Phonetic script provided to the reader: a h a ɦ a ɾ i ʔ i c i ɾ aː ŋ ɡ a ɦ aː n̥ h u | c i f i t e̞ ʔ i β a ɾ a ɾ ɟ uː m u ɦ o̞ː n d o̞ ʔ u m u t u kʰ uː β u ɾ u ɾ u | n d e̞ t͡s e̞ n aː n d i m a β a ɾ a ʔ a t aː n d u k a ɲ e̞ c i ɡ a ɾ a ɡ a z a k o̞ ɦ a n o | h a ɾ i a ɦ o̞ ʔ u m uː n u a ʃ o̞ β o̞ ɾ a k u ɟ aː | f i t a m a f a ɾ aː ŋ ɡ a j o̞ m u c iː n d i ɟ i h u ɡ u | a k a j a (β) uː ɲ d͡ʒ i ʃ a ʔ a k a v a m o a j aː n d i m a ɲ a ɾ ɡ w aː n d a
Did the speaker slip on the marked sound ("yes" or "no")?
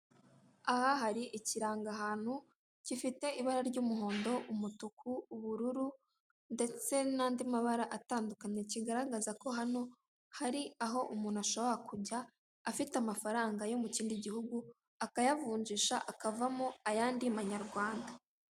yes